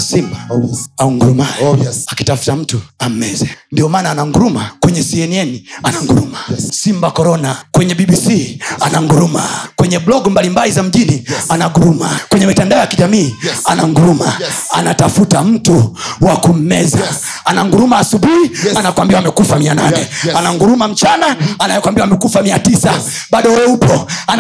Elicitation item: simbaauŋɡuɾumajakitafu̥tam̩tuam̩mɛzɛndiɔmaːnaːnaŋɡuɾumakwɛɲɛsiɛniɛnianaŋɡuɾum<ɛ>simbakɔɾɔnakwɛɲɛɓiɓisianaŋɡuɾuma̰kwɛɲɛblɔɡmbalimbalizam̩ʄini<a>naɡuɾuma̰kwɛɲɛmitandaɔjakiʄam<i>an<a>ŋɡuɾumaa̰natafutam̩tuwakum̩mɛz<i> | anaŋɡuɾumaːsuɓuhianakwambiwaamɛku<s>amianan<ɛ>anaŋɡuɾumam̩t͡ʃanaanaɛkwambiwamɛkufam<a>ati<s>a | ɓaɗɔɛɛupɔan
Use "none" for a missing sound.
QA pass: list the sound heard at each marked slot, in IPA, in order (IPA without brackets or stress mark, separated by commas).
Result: a, a, iː, a, a, f, ɛ, i, s